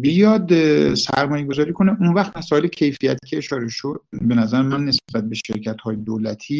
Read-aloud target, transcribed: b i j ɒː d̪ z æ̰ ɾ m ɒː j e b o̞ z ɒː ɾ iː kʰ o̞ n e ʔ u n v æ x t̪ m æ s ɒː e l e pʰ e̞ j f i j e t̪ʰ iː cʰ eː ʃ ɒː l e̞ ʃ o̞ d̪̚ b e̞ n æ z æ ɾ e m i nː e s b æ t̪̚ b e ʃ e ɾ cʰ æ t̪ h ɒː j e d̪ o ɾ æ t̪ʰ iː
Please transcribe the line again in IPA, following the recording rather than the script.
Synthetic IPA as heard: b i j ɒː d̪ s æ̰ ɾ m ɒː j e ɡ o̞ z ɒː ɾ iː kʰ o̞ n e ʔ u n v æ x t̪ m æ s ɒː e l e cʰ e̞ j f i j æ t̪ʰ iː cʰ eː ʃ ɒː ɾ e̞ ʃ o̞ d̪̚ b e̞ n æ z æ ɾ e m æ nː e s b æ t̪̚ b e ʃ e ɾ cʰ æ t̪ h ɒː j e d̪ o l æ t̪ʰ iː